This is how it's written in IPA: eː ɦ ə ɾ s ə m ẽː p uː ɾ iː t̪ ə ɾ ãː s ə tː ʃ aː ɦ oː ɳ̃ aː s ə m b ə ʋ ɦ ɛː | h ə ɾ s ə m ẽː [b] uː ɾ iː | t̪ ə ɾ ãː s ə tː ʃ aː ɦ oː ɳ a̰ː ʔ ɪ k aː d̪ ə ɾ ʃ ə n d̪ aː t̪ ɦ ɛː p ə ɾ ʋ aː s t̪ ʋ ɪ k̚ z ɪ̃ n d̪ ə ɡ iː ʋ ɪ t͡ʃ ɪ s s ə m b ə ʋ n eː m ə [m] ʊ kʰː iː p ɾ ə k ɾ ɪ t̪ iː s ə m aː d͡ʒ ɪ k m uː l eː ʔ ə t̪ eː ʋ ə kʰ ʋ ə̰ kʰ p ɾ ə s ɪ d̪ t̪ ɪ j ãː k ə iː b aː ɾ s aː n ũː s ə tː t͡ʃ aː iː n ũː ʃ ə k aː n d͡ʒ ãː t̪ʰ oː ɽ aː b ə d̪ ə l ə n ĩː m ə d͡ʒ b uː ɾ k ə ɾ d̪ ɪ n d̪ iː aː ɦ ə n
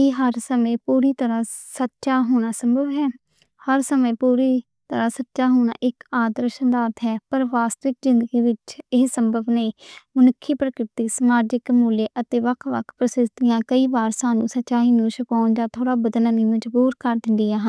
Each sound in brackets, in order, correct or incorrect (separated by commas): incorrect, incorrect